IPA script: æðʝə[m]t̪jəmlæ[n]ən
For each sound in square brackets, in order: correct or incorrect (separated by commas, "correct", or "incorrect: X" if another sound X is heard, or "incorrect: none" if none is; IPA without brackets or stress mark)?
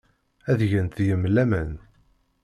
incorrect: n, incorrect: m